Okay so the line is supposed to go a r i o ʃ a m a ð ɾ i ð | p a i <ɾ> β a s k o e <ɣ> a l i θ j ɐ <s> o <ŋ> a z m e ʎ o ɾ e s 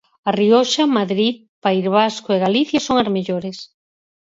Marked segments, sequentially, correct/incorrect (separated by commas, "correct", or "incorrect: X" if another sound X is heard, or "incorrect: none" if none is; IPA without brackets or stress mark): correct, correct, correct, correct